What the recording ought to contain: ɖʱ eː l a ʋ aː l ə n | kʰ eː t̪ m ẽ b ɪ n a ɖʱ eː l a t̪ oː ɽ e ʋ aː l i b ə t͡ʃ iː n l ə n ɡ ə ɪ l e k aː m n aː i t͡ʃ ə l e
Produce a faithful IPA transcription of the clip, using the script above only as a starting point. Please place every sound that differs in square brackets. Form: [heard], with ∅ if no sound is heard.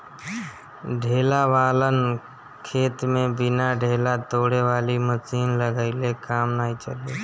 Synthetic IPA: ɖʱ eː l a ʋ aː l ə n | kʰ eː t̪ m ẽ b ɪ n a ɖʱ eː l a t̪ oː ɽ e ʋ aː l i [m] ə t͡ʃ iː n l ə [∅] ɡ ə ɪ l e k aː m n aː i t͡ʃ ə l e